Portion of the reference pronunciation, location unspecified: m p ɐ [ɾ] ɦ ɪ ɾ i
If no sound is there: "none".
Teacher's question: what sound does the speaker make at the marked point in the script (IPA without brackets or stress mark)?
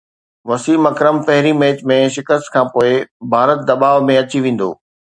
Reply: none